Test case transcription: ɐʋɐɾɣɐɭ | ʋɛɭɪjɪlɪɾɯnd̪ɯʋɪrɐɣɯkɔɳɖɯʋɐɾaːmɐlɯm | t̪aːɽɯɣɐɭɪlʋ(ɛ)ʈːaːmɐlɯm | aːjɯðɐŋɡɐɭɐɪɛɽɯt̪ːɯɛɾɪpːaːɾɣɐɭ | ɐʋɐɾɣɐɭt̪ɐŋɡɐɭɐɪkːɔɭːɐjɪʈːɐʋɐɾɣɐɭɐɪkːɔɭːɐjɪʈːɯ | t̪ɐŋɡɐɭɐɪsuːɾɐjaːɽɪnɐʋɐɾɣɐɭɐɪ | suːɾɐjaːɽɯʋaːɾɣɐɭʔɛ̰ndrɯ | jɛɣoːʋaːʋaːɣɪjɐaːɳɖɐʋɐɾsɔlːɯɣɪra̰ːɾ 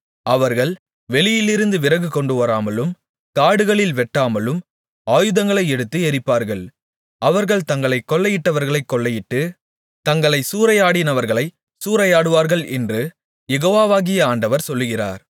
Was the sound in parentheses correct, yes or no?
yes